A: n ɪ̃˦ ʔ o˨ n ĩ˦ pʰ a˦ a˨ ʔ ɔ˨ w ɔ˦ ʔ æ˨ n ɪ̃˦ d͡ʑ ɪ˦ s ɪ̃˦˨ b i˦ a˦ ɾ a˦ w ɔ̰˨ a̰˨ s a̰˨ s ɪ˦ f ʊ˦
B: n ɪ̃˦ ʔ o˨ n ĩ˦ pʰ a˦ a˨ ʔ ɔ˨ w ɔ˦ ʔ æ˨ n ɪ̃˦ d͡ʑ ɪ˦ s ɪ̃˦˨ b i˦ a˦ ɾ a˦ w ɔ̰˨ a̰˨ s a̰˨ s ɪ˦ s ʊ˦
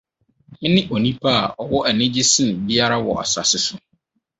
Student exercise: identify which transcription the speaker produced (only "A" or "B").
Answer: B